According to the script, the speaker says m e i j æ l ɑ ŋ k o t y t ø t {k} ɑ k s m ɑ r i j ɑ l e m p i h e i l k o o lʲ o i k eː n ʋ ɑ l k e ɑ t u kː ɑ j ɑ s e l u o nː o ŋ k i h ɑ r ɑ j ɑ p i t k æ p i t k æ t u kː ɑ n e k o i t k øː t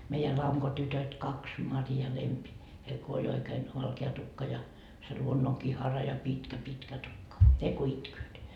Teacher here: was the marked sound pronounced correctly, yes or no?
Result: yes